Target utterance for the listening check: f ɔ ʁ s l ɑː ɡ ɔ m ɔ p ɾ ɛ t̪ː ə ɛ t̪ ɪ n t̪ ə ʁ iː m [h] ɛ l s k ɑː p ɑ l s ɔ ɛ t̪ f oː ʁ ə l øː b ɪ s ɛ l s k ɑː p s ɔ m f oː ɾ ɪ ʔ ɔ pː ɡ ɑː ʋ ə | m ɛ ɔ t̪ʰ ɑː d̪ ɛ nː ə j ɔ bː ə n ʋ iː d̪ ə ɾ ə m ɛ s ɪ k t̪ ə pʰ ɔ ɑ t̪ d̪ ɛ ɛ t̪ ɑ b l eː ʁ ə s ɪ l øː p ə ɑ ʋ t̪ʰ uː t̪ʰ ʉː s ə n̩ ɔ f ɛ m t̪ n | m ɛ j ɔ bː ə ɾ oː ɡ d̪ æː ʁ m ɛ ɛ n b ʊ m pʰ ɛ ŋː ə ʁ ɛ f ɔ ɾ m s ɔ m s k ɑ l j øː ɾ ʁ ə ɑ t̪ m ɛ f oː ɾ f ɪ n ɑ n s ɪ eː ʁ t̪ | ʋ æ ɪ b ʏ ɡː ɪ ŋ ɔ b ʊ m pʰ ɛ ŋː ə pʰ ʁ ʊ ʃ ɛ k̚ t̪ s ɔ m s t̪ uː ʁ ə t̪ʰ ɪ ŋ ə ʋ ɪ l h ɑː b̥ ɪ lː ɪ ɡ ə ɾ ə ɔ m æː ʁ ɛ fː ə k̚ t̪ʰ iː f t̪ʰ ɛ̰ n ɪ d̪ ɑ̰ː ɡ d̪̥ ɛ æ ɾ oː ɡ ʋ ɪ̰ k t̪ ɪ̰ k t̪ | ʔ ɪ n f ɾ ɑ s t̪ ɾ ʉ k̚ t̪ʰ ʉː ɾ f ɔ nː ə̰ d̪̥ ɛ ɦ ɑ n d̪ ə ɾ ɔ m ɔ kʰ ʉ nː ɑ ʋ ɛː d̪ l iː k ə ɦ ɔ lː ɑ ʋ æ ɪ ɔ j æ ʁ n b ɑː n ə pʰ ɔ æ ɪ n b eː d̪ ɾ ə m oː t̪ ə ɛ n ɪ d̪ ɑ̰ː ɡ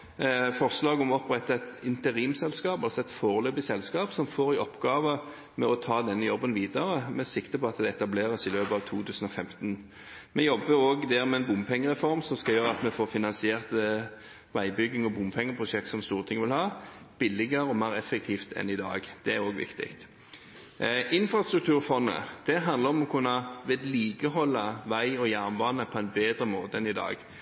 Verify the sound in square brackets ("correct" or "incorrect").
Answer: incorrect